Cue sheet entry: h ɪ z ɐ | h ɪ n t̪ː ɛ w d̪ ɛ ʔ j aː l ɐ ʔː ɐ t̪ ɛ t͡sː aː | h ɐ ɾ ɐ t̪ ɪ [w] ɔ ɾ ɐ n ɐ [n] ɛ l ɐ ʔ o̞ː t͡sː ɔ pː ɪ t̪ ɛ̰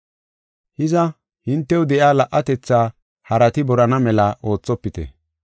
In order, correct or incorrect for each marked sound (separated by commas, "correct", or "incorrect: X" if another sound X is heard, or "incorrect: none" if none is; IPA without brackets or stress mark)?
incorrect: b, incorrect: m